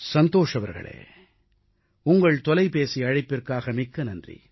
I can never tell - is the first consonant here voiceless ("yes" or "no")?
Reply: yes